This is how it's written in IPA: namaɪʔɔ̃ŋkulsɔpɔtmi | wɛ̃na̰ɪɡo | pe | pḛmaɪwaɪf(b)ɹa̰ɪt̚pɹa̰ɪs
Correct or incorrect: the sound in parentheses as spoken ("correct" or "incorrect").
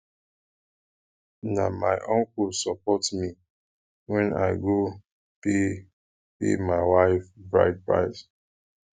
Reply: correct